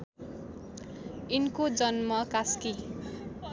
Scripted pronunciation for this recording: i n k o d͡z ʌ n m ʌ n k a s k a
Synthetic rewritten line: i n k o d͡z ʌ n m ʌ k a s k i